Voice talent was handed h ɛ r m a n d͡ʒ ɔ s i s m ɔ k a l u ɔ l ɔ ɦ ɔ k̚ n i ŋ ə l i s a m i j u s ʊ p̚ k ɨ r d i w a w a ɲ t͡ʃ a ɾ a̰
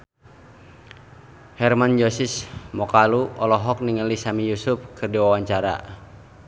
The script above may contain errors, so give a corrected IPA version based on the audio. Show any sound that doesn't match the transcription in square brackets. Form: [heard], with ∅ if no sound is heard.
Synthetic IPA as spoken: h ɛ r m a n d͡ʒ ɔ s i s m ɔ k a l u ɔ l ɔ ɦ ɔ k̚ n i ŋ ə l i s a m i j u s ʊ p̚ k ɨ r d i w a w a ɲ t͡ʃ a ɾ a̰